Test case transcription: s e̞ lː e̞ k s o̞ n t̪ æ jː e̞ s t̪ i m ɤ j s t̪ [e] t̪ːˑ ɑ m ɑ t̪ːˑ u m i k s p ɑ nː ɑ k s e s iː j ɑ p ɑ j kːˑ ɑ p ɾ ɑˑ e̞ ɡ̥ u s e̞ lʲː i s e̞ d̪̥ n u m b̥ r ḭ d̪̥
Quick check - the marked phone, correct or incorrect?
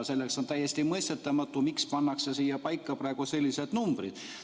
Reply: correct